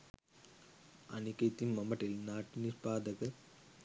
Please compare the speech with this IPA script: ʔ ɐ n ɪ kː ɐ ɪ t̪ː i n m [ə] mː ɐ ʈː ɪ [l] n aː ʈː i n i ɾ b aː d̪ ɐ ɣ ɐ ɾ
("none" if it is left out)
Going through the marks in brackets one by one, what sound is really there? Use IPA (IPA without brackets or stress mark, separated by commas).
ɐ, l